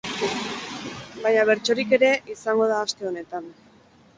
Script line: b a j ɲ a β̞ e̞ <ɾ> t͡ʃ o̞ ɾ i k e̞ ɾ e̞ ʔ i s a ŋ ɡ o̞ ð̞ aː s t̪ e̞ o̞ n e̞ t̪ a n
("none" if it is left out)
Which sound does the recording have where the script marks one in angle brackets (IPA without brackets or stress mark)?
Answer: ɾ